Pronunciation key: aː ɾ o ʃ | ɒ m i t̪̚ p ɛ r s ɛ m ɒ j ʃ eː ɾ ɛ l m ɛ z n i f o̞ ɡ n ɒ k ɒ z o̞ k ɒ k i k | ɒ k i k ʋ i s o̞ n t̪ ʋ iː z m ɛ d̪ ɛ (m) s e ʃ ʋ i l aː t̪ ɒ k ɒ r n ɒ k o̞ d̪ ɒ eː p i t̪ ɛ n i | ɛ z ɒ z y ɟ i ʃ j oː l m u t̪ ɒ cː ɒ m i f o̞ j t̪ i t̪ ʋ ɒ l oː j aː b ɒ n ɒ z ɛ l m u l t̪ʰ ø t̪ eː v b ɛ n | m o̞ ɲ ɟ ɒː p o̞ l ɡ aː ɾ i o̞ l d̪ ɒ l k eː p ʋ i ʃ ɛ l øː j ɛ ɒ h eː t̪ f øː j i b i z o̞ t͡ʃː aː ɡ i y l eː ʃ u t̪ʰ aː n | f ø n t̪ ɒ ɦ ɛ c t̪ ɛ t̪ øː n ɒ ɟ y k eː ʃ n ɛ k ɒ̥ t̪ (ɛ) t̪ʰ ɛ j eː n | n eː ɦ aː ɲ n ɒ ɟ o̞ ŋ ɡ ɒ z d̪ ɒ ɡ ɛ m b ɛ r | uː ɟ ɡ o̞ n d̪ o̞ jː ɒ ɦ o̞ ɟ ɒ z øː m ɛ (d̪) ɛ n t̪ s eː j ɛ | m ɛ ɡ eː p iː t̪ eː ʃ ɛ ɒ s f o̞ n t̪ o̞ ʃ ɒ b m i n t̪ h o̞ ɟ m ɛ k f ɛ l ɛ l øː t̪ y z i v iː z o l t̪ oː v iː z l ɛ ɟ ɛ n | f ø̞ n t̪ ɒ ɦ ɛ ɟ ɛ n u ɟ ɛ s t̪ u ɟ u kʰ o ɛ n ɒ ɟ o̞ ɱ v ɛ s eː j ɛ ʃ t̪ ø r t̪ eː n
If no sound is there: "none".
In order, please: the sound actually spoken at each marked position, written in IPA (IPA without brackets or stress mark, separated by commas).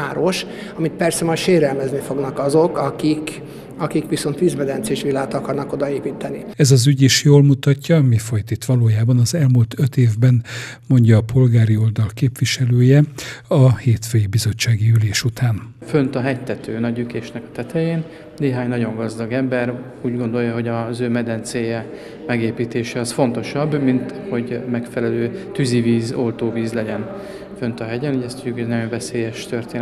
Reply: n, ɛ, d̪